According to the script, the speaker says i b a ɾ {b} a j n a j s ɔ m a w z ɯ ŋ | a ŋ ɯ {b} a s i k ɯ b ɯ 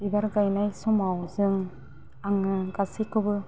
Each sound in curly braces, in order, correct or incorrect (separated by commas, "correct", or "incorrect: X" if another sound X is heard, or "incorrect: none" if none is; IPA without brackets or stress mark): incorrect: ɡ, incorrect: ɡ